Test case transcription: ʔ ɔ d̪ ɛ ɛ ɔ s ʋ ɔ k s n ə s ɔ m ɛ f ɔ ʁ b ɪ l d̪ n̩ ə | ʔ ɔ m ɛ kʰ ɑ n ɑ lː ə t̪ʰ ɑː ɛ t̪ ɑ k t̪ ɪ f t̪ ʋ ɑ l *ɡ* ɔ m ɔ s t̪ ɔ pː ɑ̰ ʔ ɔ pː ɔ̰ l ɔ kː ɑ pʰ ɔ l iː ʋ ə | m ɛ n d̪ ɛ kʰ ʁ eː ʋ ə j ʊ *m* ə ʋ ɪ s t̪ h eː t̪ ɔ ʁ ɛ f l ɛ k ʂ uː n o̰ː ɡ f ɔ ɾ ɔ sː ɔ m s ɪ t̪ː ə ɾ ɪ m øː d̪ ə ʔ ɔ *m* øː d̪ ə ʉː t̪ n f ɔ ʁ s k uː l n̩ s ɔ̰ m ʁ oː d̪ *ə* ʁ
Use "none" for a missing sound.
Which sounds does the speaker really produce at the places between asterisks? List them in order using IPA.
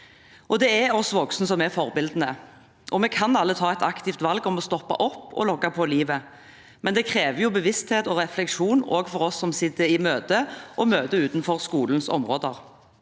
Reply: ɡ, b, m, ə

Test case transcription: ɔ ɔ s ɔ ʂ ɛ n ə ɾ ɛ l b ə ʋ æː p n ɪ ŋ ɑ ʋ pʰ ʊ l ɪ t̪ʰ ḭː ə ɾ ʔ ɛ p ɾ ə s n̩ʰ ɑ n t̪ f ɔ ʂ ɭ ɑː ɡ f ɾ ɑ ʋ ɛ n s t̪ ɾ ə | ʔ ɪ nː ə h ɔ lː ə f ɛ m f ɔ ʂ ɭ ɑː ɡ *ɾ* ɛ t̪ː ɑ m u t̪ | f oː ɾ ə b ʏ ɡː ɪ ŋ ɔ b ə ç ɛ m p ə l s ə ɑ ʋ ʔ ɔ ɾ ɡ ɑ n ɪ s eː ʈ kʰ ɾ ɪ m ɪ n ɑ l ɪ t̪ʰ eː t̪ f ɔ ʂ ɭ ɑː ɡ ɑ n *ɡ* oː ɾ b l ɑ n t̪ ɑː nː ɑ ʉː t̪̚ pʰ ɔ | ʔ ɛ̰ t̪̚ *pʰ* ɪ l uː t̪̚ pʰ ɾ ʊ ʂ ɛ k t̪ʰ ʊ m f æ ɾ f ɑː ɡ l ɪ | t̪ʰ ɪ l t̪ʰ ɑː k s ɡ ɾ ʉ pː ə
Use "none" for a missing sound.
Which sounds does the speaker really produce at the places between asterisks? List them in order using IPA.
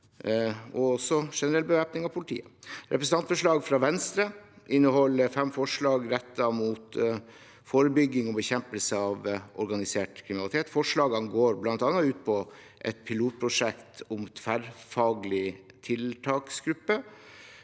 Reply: ɾ, ɡ, pʰ

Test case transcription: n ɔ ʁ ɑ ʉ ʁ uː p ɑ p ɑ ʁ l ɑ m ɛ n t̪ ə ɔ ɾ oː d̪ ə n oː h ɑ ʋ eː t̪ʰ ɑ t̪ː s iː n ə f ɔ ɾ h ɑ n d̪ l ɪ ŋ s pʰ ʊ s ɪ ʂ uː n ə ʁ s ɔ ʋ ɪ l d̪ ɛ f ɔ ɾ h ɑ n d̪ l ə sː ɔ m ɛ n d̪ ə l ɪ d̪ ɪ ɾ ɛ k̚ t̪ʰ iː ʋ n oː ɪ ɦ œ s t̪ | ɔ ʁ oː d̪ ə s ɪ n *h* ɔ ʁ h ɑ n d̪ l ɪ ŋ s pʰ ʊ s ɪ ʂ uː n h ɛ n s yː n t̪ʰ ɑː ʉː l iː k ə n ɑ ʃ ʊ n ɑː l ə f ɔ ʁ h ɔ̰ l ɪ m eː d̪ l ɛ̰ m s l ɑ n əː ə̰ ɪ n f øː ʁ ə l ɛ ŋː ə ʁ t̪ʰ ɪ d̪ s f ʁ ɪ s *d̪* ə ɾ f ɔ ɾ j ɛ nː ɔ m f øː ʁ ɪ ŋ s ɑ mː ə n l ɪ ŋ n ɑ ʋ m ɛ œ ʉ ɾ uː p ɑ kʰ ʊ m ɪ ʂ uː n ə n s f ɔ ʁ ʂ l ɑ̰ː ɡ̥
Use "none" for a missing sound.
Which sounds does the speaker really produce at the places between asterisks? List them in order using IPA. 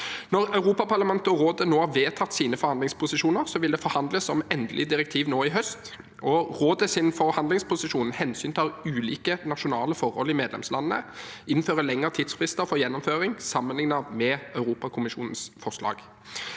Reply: f, t̪

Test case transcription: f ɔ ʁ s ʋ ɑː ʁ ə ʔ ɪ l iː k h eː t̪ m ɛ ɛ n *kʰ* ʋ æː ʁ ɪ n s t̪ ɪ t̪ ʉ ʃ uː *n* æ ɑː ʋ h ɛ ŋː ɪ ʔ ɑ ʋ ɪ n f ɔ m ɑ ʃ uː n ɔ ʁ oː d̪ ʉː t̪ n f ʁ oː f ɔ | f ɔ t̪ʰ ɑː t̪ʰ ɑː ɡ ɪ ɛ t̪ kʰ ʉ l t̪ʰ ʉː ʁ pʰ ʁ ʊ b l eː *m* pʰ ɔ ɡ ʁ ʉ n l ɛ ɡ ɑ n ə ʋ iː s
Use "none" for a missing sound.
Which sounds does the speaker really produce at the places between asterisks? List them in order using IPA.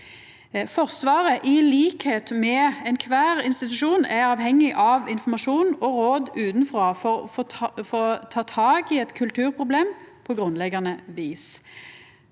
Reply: kʰ, n, m

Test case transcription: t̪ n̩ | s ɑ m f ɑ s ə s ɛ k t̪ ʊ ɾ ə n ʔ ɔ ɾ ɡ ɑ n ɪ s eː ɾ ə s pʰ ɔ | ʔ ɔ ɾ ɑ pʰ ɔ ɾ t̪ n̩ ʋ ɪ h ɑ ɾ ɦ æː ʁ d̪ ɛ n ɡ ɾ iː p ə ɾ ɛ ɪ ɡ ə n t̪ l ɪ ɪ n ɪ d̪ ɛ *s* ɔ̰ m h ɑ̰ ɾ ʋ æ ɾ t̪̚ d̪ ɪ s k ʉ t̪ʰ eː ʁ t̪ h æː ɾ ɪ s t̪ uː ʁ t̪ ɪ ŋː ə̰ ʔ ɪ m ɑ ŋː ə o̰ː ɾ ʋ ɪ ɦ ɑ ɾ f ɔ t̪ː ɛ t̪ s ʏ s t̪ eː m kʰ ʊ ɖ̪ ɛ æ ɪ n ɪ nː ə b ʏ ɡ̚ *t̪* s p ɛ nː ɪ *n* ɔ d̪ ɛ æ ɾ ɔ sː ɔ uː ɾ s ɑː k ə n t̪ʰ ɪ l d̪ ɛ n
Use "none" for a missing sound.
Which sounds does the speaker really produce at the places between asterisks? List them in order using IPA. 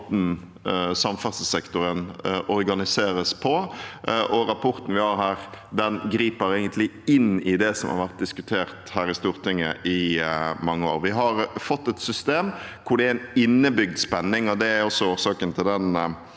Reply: s, d̪, ŋ

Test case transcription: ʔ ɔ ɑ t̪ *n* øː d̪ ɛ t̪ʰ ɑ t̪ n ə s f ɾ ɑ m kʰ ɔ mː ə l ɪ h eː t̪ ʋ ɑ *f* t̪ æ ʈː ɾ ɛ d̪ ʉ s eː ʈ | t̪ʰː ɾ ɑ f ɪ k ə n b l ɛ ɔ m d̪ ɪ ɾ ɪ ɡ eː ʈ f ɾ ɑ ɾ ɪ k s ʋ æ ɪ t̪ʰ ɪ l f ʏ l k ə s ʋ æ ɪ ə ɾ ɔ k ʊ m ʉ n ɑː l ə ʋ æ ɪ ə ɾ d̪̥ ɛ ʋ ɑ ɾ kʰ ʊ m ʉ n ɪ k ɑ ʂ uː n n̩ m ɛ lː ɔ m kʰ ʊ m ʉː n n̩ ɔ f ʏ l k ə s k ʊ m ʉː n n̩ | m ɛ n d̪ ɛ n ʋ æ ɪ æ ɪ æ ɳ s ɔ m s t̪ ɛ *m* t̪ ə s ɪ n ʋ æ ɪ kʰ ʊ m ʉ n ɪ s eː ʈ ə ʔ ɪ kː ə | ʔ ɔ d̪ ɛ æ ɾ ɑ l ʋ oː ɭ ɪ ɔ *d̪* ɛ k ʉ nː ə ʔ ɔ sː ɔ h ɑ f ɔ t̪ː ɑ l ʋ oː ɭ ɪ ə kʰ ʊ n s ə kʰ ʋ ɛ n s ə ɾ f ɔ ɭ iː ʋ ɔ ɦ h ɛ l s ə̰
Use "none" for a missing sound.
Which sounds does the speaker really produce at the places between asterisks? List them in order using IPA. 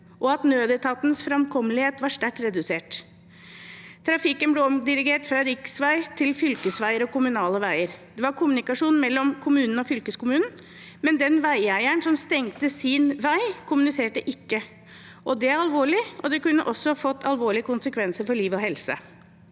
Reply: n, ʂ, ŋ, d̪

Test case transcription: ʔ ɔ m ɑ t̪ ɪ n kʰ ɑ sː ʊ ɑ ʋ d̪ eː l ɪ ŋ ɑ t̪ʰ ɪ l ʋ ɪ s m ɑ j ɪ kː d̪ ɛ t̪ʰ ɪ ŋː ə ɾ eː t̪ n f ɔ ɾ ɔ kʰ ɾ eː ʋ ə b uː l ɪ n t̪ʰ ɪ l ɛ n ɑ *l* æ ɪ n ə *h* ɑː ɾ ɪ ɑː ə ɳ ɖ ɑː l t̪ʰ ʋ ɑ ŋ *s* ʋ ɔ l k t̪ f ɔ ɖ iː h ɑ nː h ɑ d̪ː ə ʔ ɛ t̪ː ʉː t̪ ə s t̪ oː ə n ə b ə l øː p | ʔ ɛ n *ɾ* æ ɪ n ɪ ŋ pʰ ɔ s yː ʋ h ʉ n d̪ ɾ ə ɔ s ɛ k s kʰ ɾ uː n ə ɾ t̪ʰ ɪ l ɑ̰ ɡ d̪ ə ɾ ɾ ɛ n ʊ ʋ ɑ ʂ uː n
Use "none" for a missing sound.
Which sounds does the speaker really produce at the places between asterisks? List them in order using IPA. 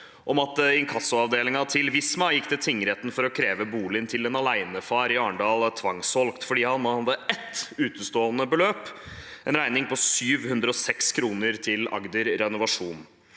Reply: l, f, s, ɾ

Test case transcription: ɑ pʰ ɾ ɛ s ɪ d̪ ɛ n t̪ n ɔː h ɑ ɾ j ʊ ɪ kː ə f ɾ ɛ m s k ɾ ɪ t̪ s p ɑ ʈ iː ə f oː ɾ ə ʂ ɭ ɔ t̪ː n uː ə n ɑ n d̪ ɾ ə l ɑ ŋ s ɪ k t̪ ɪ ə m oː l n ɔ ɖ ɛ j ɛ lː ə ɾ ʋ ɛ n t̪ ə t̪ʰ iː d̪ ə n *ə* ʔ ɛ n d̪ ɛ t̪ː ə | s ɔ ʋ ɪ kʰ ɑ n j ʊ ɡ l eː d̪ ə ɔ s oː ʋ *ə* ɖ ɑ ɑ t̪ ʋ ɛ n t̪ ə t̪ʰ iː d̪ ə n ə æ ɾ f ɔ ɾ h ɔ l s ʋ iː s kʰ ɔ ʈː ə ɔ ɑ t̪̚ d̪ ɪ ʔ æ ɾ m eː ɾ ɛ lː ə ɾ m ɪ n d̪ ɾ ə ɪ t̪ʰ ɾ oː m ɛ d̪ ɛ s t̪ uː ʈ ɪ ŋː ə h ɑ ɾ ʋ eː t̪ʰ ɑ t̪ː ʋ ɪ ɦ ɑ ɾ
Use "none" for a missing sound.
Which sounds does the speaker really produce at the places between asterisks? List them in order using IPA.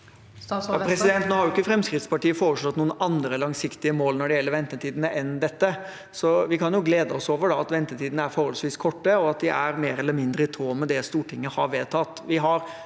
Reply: ə, ə

